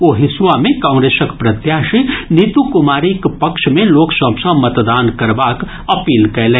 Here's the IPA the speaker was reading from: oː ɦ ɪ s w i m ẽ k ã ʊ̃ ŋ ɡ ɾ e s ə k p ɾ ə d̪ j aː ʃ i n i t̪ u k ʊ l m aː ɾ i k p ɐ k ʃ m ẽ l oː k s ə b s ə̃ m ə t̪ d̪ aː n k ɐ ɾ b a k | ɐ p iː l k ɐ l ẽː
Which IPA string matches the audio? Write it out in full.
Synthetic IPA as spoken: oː ɦ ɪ s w a m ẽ k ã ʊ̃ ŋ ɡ ɾ e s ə k p ɾ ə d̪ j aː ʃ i n i t̪ u k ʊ m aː ɾ i k p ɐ k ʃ m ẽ l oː k s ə b s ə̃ m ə t̪ d̪ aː n k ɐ ɾ b a k | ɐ p iː l k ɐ l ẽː

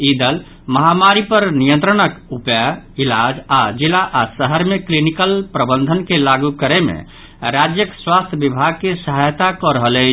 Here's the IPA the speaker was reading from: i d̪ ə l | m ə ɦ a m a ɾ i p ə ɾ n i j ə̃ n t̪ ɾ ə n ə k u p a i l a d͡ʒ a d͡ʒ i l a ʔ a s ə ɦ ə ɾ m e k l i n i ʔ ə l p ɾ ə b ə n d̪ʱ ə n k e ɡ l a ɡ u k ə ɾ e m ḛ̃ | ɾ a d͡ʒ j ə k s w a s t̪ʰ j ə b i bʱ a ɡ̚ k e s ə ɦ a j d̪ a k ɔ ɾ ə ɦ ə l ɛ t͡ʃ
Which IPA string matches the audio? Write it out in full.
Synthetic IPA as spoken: i d̪ ə l | m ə ɦ a m a ɾ i p ə ɾ n i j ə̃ n t̪ ɾ ə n ə k u p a i l a d͡ʒ a d͡ʒ i l a ʔ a s ə ɦ ə ɾ m e k l i n i k ə l p ɾ ə b ə n d̪ʱ ə n k e l a ɡ u k ə ɾ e m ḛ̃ | ɾ a d͡ʒ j ə k s w a s t̪ʰ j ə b i bʱ a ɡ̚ k e s ə ɦ a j t̪ a k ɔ ɾ ə ɦ ə l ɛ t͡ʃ

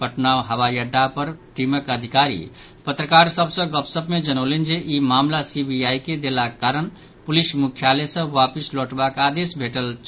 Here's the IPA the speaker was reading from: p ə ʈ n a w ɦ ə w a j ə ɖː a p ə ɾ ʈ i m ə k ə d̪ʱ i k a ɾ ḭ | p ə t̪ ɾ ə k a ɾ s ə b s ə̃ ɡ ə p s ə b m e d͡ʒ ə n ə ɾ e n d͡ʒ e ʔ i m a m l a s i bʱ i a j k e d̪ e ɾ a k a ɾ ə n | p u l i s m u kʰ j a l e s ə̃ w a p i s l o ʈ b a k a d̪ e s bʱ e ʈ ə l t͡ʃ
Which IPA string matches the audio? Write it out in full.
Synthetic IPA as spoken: p ə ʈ n a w ɦ ə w a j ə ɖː a p ə ɾ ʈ i m ə k ə d̪ʱ i k a ɾ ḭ | p ə t̪ ɾ ə k a ɾ s ə b s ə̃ ɡ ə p s ə b m e d͡ʒ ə n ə l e n d͡ʒ e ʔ i m a m l a s i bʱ i a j k e d̪ e l a k a ɾ ə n | p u l i s m u kʰ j a l e s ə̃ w a p i s l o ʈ b a k a d̪ e s bʱ e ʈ ə l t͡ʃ

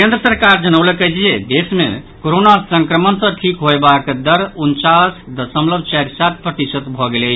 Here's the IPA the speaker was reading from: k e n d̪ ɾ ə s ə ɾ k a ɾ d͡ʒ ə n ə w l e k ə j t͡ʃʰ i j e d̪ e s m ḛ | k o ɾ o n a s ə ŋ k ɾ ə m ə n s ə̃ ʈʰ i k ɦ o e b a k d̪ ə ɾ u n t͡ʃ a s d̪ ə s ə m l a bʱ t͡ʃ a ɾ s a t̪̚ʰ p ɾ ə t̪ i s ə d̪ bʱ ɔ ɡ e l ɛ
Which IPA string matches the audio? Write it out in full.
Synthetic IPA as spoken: k e n d̪ ɾ ə s ə ɾ k a ɾ d͡ʒ ə n ə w l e k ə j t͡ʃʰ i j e d̪ e s m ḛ | k o ɾ o n a s ə ŋ k ɾ ə m ə n s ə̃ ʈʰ i k ɦ o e b a k d̪ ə ɾ u n t͡ʃ a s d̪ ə s ə m l ə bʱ t͡ʃ a ɾ s a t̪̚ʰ p ɾ ə t̪ i s ə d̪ bʱ ɔ ɡ e l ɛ

